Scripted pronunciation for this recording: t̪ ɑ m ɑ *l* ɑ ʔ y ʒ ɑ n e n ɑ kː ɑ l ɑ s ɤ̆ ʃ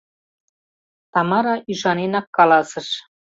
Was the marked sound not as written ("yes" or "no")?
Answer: yes